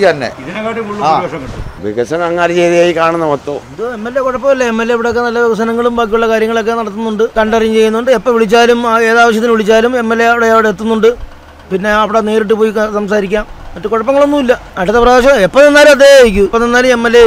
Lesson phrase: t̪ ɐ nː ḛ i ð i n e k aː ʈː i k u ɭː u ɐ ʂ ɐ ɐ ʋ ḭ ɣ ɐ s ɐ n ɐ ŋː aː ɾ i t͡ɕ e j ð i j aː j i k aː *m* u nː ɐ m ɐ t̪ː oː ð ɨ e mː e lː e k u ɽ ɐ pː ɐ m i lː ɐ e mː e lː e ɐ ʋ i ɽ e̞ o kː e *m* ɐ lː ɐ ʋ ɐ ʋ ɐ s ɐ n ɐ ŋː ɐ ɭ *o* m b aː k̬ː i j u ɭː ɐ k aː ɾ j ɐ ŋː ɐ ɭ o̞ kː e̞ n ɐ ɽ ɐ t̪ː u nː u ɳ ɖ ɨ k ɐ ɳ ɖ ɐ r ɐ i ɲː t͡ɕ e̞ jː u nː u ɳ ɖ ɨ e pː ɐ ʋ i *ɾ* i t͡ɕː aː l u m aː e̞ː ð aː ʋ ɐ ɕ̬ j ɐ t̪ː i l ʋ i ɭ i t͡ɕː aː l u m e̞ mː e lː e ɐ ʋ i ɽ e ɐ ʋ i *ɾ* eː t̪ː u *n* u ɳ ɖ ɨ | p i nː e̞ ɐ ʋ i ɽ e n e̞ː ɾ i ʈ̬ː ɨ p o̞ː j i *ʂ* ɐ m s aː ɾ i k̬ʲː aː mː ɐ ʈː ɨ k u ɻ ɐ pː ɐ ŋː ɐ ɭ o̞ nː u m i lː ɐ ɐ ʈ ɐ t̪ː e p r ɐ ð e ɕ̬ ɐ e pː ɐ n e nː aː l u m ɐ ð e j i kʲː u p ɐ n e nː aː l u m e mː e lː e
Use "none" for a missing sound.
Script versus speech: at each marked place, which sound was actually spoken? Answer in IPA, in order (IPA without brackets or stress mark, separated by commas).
ɳ, n, u, ɭ, ɽ, nː, s